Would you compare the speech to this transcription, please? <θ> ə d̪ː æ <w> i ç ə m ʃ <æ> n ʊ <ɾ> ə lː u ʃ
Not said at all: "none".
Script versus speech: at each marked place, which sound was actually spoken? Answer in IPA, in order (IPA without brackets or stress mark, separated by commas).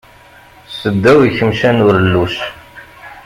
s, w, æ, ɾ